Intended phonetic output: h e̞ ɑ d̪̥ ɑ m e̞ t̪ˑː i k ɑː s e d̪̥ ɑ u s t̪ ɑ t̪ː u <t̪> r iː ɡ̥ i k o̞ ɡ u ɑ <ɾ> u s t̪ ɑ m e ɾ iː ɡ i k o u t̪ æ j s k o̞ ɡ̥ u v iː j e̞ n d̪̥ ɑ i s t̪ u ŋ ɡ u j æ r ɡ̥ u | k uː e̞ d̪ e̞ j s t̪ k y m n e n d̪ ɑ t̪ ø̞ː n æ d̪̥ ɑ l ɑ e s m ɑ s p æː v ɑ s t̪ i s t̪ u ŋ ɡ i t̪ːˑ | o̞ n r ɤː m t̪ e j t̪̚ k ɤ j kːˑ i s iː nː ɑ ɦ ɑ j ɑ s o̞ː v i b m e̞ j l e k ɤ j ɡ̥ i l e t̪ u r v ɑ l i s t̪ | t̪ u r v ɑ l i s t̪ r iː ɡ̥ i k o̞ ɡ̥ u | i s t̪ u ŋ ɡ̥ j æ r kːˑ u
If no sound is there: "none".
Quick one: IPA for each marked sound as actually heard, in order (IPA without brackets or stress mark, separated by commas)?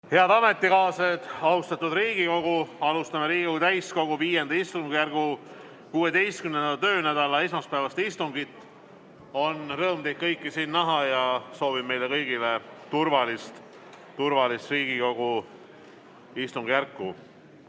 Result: d̪, l